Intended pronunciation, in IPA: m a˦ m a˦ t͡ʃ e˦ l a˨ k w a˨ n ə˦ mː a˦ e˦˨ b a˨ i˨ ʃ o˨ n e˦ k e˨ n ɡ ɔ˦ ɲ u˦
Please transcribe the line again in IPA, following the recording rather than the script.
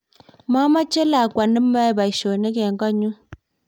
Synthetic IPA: m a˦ m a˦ t͡ʃ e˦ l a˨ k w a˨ n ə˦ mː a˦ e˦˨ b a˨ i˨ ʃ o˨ n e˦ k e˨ ŋ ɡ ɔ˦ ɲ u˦